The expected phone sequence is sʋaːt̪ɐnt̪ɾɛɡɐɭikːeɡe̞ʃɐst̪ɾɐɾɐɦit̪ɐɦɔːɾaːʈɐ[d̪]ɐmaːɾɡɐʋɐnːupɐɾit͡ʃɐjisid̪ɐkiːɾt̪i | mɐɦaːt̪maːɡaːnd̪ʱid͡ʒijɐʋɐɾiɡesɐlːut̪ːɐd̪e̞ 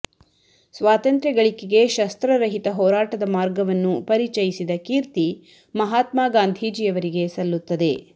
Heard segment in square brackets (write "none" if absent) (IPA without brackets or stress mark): d̪